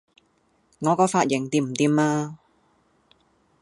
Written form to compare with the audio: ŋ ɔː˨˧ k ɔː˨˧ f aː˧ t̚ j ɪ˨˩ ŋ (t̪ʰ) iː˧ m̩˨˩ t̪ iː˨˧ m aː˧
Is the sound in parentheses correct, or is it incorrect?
incorrect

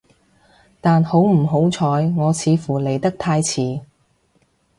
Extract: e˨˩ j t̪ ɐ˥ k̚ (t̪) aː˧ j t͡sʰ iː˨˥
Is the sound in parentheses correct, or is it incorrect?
incorrect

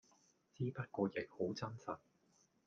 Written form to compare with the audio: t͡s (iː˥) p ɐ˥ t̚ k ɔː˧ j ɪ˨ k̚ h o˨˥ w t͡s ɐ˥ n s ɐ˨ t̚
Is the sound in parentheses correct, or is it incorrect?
correct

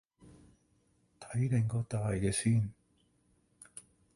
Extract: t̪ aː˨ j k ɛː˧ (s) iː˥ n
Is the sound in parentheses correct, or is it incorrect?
correct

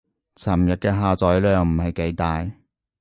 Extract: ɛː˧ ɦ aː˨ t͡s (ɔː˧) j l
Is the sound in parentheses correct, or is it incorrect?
incorrect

